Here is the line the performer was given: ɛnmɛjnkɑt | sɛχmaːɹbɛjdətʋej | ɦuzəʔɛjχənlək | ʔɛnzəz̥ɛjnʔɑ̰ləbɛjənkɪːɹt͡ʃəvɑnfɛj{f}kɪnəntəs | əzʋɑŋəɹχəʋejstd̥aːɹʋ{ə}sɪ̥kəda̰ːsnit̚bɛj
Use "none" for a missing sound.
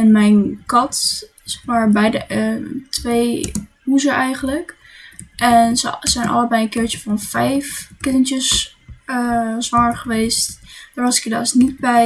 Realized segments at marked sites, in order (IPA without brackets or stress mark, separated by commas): f, ɑ